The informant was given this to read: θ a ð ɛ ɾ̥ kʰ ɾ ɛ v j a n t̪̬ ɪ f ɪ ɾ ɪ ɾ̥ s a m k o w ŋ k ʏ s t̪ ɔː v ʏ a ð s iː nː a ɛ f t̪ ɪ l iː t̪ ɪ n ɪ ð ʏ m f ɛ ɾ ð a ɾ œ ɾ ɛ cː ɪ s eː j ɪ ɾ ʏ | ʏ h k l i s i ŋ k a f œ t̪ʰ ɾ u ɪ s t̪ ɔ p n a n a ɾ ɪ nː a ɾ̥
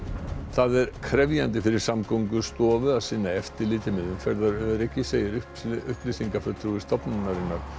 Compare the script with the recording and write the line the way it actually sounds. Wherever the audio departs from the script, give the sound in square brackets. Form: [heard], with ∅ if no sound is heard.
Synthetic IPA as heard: θ a ð ɛ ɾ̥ kʰ ɾ ɛ v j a n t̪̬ ɪ f ɪ ɾ ɪ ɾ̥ s a m k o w ŋ k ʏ s t̪ ɔː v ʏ a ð s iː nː a ɛ f t̪ ɪ l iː t̪ ɪ [m] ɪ ð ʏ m f ɛ ɾ ð a ɾ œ ɾ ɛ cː ɪ s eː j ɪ ɾ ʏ | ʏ h [p] l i s i ŋ k a f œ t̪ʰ ɾ u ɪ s t̪ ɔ p n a n a ɾ ɪ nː a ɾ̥